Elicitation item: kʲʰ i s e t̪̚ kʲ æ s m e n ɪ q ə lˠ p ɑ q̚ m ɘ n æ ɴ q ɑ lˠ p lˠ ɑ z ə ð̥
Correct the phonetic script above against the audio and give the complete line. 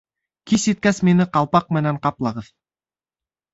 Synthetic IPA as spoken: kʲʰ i s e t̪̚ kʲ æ s m e n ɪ q ɑ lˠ p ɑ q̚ m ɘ n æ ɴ q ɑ p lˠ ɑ ʁ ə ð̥